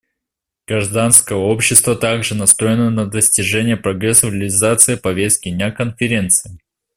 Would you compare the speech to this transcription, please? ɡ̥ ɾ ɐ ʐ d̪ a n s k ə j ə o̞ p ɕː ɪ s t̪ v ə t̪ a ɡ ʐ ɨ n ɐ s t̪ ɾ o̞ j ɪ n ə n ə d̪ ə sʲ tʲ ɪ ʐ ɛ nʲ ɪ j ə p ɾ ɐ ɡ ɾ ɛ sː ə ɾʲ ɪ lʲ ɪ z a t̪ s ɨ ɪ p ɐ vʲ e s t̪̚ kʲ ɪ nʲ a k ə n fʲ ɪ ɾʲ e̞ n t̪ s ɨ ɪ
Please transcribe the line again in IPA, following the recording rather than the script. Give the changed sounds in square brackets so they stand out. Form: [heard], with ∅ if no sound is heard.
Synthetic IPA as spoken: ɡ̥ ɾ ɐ ʐ d̪ a n s k ə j ə o̞ p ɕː ɪ s t̪ v ə t̪ a ɡ ʐ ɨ n ɐ s t̪ ɾ o̞ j ɪ n ə n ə d̪ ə sʲ tʲ ɪ ʐ ɛ nʲ ɪ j ə p ɾ ɐ ɡ ɾ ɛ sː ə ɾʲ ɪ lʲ ɪ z a t̪ s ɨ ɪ p ɐ vʲ e s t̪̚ kʲ ɪ nʲ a k ə n fʲ ɪ ɾʲ e̞ n t̪ s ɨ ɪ